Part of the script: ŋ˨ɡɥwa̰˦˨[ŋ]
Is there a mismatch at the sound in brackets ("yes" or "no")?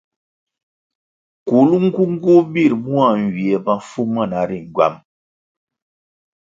yes